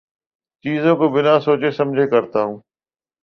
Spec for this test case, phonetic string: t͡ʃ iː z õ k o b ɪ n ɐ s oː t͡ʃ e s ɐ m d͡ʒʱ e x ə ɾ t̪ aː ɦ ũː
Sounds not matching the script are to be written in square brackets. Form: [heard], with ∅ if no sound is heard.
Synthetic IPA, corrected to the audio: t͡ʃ iː z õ k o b ɪ n [a] s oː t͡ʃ e s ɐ m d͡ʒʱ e [k] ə ɾ t̪ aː ɦ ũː